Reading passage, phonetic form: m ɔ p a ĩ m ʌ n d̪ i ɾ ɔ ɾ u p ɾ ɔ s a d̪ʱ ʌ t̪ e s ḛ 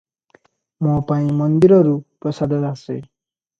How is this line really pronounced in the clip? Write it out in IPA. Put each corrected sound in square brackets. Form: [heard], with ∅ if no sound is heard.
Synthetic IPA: m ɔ p a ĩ m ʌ n d̪ i ɾ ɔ ɾ u p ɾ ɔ s a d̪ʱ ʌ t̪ [a] s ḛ

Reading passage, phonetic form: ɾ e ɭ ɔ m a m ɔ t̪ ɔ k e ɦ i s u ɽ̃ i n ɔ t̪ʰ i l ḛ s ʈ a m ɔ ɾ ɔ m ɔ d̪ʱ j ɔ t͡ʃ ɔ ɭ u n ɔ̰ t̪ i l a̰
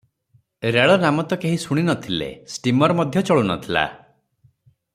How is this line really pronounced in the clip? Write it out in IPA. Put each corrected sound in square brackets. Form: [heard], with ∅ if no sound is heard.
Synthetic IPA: ɾ e ɭ ɔ [n] a m ɔ t̪ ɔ k e ɦ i s u ɽ̃ i n ɔ t̪ʰ i l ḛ s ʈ [i] m ɔ ɾ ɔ m ɔ d̪ʱ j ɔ t͡ʃ ɔ ɭ u n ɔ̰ [t̪ʰ] i l a̰

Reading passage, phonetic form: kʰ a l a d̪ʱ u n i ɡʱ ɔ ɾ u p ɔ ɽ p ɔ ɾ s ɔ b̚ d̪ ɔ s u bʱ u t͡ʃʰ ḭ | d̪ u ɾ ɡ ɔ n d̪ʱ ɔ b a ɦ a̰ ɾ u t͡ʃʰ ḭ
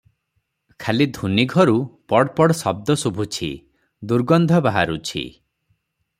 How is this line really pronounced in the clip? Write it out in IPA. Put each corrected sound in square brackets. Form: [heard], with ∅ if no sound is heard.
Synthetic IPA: kʰ a l [i] d̪ʱ u n i ɡʱ ɔ ɾ u p ɔ ɽ p ɔ [ɽ] s ɔ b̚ d̪ ɔ s u bʱ u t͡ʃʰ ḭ | d̪ u ɾ ɡ ɔ n d̪ʱ ɔ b a ɦ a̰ ɾ u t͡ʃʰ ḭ

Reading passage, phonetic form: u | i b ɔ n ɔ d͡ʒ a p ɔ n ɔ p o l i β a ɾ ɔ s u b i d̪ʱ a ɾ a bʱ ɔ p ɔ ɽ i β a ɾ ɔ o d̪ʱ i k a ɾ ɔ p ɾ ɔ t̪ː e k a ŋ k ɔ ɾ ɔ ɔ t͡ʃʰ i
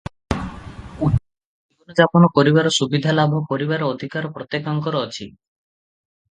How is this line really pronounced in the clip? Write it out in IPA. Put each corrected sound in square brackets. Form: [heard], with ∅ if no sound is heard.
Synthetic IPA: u | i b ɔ n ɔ d͡ʒ a p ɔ n ɔ p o [ɾ] i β a ɾ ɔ s u b i d̪ʱ a [l] a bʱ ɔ p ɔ [ɾ] i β a ɾ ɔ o d̪ʱ i k a ɾ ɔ p ɾ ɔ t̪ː e k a ŋ k ɔ ɾ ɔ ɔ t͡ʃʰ i

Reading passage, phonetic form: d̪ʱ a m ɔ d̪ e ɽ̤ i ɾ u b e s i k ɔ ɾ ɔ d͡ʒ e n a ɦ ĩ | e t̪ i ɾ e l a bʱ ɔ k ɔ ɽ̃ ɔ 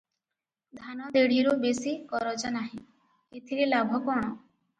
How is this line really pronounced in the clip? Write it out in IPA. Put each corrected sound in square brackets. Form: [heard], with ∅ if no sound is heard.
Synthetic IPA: d̪ʱ a [n] ɔ d̪ e ɽ̤ i ɾ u b e s i k ɔ ɾ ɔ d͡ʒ [a] n a ɦ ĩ | e [t̪ʰ] i ɾ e l a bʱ ɔ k ɔ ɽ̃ ɔ

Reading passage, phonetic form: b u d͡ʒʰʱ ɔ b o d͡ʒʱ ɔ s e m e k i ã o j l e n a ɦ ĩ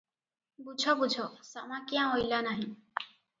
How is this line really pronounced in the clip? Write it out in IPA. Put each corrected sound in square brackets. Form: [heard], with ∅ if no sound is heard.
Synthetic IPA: b u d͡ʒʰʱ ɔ b [u] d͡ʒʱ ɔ s [a] m [a] k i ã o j l [a] n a ɦ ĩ

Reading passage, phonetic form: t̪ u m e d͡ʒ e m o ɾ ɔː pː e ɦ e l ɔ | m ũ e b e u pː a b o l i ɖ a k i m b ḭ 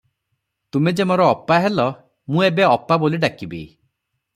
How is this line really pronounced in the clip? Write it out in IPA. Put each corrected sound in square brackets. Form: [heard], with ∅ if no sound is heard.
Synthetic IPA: t̪ u m e d͡ʒ e m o ɾ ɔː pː [a] ɦ e l ɔ | m ũ e b e [ɔ] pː a b o l i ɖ a k i [∅] b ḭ

